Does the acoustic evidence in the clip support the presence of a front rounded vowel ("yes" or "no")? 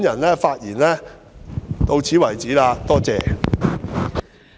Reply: no